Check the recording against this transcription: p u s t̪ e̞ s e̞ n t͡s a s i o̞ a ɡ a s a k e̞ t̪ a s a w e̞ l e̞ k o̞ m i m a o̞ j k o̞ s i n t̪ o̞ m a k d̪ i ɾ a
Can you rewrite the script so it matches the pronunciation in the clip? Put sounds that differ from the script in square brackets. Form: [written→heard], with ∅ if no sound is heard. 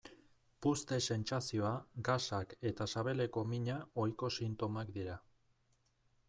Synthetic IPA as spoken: p u s t̪ e̞ s e̞ n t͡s a s i o̞ a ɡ a s a k e̞ t̪ a s a [w→β] e̞ l e̞ k o̞ m i [m→ɲ] a o̞ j k o̞ s i n t̪ o̞ m a k d̪ i ɾ a